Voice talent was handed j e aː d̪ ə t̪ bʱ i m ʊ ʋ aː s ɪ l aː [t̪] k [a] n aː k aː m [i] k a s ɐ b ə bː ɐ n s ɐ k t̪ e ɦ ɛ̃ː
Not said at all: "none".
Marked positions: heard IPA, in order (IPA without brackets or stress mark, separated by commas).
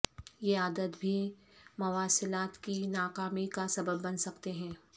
t̪, i, i